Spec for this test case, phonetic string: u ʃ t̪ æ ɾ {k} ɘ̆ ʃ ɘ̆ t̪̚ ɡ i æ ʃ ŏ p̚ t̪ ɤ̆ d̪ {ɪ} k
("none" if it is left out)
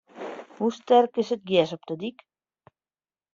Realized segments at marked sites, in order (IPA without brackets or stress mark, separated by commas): k, i